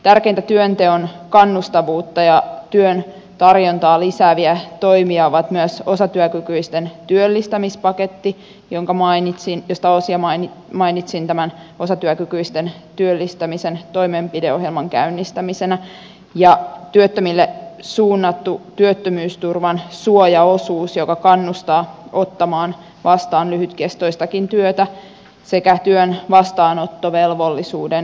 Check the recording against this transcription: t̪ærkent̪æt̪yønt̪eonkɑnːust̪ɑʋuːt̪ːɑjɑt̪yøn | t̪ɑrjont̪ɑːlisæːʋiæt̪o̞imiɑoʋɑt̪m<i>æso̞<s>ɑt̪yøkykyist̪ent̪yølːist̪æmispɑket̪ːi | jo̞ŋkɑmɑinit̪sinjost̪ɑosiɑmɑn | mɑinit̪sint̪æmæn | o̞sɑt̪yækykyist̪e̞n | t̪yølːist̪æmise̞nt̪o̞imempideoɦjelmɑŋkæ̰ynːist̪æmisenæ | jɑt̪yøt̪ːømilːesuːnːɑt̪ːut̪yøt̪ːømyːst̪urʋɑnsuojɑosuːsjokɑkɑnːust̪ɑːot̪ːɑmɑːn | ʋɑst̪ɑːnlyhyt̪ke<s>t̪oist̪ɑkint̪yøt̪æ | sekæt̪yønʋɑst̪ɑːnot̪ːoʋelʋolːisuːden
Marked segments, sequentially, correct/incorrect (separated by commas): incorrect, correct, correct